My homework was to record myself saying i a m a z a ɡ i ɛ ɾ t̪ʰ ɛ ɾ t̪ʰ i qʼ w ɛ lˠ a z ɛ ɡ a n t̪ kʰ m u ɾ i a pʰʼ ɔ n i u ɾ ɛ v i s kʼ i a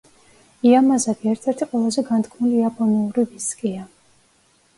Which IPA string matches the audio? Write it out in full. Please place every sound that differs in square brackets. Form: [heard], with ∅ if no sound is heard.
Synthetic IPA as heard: i a m a z a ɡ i ɛ ɾ t̪ʰ ɛ ɾ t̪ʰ i qʼ w ɛ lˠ a z ɛ ɡ a n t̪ kʰ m u [l] i a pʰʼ ɔ n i u ɾ [i] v i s kʼ i a